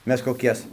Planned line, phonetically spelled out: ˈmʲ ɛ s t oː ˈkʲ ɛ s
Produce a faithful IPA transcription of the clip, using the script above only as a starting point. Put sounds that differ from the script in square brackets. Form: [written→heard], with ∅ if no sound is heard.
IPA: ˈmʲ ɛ s [t→k] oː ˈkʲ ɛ s

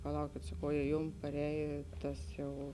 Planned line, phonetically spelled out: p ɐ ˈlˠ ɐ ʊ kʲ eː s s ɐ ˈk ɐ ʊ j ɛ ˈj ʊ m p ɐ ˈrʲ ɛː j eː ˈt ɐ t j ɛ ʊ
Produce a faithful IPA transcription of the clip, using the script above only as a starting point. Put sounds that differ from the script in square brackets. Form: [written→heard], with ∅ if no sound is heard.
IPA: p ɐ ˈlˠ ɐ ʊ kʲ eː [s→t] s ɐ ˈk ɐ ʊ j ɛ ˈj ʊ m p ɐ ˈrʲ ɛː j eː ˈt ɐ [t→s] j ɛ ʊ

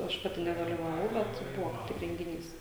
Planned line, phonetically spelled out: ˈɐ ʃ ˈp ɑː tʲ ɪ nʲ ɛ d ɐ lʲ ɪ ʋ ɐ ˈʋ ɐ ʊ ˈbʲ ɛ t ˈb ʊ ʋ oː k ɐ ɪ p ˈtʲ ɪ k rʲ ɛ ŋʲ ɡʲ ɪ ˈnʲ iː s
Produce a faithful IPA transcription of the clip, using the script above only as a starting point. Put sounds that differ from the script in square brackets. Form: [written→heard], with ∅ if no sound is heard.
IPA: ˈɐ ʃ ˈp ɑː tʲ ɪ nʲ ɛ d ɐ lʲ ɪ ʋ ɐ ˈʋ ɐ ʊ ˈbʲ ɛ t ˈb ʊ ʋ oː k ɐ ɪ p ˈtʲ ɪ k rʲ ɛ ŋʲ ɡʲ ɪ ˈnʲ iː s

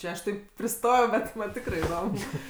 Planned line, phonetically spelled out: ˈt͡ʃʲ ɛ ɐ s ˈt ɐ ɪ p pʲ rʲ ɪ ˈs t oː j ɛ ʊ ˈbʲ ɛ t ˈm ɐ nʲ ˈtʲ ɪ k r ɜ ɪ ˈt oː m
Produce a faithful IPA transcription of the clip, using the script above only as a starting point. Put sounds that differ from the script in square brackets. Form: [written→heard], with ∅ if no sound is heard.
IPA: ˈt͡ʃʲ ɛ ɐ [s→ʃ] ˈt ɐ ɪ p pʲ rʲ ɪ ˈs t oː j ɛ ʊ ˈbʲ ɛ t ˈm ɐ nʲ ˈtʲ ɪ k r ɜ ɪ [ˈt→ˈd] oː m

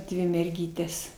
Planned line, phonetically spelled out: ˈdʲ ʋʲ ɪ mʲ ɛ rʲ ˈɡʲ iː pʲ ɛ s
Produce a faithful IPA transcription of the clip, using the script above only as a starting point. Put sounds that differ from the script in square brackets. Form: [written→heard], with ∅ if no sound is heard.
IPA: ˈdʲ ʋʲ ɪ mʲ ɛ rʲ ˈɡʲ iː [pʲ→tʲ] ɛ s

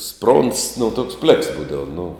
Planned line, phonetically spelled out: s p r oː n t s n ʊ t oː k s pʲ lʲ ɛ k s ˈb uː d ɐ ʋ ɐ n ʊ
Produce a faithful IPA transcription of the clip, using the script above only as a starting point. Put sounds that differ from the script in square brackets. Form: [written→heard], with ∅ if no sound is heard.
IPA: s p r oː n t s n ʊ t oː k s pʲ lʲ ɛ k s ˈb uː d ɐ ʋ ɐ n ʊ

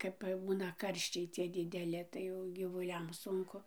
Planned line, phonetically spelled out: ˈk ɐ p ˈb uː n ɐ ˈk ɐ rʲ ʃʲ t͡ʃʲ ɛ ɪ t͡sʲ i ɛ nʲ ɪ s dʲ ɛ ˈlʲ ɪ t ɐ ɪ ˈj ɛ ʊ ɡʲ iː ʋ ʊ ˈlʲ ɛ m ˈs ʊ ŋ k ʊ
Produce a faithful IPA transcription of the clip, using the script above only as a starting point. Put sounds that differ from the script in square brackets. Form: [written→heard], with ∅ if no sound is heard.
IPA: ˈk ɐ p ˈb uː n ɐ ˈk ɐ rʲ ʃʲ t͡ʃʲ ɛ ɪ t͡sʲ i ɛ [nʲ→dʲ] ɪ [s→∅] dʲ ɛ ˈlʲ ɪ t ɐ ɪ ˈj ɛ ʊ ɡʲ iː ʋ ʊ ˈlʲ ɛ m ˈs ʊ ŋ k ʊ

